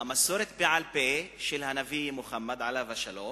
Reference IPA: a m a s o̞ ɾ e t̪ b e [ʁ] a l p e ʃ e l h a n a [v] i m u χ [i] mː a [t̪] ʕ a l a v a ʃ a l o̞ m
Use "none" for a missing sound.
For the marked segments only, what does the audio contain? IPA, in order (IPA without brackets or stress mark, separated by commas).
ʕ, v, a, d̪